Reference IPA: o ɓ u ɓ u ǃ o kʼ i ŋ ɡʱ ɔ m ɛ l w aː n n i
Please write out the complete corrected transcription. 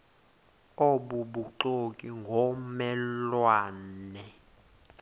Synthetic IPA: o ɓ u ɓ u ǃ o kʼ i ŋ ɡʱ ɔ m ɛ l w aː n n ɛ